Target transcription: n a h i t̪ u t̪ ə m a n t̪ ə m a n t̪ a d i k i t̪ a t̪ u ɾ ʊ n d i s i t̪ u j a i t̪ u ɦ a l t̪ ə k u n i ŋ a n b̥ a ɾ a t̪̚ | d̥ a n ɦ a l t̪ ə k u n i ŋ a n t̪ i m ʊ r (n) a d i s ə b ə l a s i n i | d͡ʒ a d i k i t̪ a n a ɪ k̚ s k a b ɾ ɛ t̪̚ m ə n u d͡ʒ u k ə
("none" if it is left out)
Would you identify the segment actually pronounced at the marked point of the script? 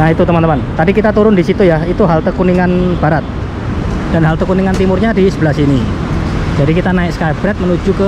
ɲ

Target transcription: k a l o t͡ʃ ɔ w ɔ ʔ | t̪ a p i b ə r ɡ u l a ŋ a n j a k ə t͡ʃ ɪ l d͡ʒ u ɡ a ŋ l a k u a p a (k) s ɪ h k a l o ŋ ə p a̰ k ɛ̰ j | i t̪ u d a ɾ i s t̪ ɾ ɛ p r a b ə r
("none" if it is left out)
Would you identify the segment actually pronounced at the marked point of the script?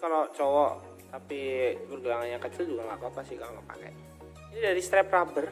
none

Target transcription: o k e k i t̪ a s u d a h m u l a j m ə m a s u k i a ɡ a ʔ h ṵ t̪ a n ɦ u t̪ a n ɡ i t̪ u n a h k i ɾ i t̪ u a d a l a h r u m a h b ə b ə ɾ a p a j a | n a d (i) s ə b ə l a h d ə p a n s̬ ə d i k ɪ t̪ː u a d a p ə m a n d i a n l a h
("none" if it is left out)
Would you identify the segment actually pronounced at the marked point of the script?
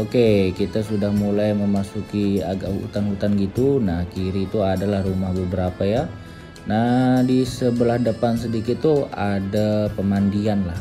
i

